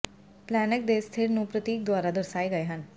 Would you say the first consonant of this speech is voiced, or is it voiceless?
voiceless